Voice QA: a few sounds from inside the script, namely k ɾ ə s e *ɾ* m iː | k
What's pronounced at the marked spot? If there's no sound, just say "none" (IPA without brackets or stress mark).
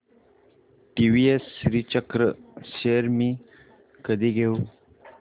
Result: ɾ